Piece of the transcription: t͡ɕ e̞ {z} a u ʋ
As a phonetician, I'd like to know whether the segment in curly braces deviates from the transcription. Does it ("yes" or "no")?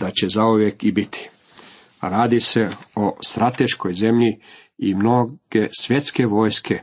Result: no